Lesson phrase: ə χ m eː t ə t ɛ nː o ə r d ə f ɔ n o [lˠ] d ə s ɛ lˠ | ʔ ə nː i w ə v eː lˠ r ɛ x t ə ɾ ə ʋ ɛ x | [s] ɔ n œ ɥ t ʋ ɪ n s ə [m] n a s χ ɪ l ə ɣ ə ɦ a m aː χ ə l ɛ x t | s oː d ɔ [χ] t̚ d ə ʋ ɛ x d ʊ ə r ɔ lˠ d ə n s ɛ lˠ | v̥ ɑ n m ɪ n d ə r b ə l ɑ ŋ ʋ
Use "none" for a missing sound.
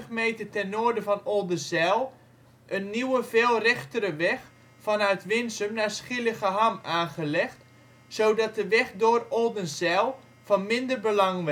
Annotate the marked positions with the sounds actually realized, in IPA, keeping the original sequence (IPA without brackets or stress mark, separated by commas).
lˠ, f, m, none